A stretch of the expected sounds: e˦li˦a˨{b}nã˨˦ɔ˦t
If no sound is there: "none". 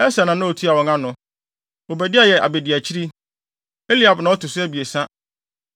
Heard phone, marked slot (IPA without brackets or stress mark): b